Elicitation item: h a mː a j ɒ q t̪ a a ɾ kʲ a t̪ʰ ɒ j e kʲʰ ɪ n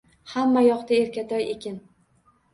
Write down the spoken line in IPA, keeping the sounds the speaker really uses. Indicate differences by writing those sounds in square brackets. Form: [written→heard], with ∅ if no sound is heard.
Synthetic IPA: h a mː a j ɒ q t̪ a [a→e] ɾ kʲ a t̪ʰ ɒ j e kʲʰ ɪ n